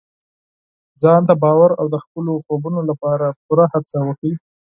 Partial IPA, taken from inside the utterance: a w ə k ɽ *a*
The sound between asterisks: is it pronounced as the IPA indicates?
no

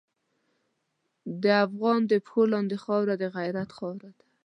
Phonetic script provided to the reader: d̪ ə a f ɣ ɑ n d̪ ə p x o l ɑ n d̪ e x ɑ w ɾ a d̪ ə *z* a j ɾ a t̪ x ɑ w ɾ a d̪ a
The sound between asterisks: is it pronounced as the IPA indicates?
no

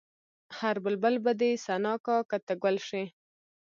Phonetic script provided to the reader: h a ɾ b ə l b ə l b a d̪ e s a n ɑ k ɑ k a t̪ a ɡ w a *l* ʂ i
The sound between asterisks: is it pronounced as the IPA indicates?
yes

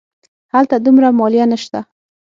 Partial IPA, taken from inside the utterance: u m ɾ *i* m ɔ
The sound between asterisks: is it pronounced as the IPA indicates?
no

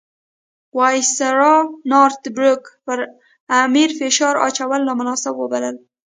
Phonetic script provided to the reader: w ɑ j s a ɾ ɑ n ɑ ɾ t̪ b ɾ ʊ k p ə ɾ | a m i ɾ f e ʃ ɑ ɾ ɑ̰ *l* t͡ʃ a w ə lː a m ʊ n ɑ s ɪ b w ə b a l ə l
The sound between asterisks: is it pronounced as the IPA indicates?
no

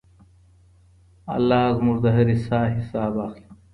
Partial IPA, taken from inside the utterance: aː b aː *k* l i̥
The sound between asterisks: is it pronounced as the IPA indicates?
no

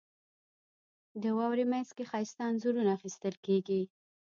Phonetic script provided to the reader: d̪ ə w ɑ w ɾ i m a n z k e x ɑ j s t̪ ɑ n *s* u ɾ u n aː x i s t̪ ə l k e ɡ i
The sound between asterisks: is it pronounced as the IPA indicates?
no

